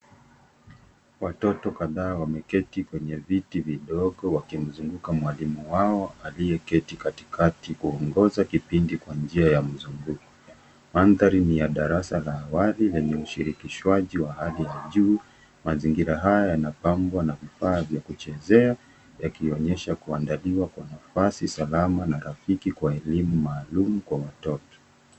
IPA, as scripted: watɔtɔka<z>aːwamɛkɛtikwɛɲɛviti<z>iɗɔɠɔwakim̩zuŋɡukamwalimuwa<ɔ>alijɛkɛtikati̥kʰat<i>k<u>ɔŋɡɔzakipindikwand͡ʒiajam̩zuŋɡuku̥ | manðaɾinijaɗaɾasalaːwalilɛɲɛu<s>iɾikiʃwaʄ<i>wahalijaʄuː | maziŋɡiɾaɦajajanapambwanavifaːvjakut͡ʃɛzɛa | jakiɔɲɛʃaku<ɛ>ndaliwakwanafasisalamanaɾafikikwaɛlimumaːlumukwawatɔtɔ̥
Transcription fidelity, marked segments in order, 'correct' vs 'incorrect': incorrect: ð, incorrect: v, correct, correct, correct, incorrect: ʃ, correct, incorrect: a

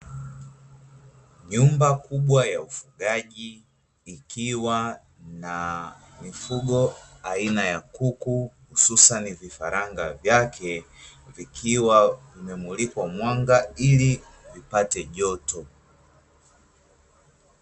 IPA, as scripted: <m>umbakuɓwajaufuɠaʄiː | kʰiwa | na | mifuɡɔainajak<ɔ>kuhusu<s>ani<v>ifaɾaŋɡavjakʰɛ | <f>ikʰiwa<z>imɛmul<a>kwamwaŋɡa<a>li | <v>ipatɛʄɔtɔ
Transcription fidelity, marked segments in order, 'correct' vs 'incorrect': incorrect: ɲ, incorrect: u, correct, correct, incorrect: v, incorrect: v, incorrect: i, incorrect: i, correct

